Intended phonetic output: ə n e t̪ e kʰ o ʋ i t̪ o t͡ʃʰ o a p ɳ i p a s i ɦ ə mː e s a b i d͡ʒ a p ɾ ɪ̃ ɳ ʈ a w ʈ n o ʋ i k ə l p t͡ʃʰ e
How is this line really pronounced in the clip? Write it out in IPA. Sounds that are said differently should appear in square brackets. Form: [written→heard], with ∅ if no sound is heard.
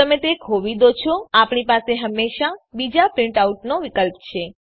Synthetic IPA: ə [n→m] e t̪ e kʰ o ʋ i [t̪→d̪] o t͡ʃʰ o a p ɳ i p a s [i→e] ɦ ə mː e [s→ʃ] a b i d͡ʒ a p ɾ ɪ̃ ɳ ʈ a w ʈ n o ʋ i k ə l p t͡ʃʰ e